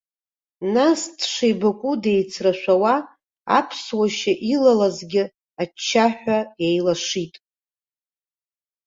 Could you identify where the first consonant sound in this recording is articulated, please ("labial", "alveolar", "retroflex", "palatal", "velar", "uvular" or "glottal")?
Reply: alveolar